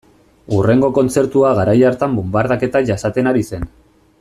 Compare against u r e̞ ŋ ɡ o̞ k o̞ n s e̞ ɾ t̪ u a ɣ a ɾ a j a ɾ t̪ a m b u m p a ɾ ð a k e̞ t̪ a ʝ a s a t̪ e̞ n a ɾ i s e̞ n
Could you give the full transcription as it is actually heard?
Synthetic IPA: u r e̞ ŋ ɡ o̞ k o̞ n t͡s e̞ ɾ t̪ u a ɣ a ɾ a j a ɾ t̪ a m b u m b a ɾ ð a k e̞ t̪ a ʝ a s a t̪ e̞ n a ɾ i s e̞ n